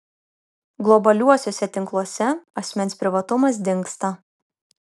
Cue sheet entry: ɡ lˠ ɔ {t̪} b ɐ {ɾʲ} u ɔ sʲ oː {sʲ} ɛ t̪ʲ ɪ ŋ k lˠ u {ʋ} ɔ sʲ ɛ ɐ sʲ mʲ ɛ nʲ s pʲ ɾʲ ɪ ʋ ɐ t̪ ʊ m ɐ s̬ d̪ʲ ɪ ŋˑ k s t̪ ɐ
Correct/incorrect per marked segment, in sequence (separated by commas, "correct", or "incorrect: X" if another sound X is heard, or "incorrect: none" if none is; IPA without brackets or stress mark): incorrect: none, incorrect: lʲ, correct, incorrect: none